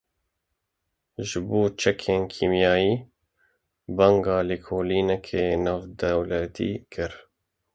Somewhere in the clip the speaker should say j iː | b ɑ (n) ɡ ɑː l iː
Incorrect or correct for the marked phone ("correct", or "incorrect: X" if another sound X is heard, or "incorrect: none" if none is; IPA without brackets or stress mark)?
incorrect: ŋ